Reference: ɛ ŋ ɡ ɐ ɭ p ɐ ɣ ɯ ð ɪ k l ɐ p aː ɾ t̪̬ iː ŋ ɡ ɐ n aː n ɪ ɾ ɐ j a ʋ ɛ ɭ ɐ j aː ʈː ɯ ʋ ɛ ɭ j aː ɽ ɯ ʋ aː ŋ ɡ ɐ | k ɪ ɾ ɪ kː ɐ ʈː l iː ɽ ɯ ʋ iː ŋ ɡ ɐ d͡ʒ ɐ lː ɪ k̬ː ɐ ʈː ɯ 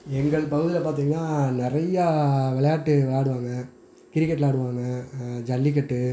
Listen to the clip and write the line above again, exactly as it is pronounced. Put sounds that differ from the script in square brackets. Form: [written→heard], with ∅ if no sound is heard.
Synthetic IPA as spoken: ɛ ŋ ɡ ɐ ɭ p ɐ ɣ ɯ ð ɪ [k→∅] l ɐ p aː ɾ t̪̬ iː ŋ ɡ ɐ n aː n ɪ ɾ ɐ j a ʋ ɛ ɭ ɐ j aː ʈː ɯ ʋ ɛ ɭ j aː ɽ ɯ ʋ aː ŋ ɡ ɐ | k ɪ ɾ ɪ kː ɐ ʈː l [iː→aː] ɽ ɯ ʋ [iː→aː] ŋ ɡ ɐ d͡ʒ ɐ lː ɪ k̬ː ɐ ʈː ɯ